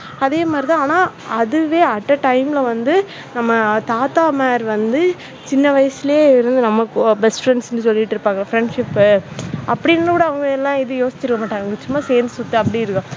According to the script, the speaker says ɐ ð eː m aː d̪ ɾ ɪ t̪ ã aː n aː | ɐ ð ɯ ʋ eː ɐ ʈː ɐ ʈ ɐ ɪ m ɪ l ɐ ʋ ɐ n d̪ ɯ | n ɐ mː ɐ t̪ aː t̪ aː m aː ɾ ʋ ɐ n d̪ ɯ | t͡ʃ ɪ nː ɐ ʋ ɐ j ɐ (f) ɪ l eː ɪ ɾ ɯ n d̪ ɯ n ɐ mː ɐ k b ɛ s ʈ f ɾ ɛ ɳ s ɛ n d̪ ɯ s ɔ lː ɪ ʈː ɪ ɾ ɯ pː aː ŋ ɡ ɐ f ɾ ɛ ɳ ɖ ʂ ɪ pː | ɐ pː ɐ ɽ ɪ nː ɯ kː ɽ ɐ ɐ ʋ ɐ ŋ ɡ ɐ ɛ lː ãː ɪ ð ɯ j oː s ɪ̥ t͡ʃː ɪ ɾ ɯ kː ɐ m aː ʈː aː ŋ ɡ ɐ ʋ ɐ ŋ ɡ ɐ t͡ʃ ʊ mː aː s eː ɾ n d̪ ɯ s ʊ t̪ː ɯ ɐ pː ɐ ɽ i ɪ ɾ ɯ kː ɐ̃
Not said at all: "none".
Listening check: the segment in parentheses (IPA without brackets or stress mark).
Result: s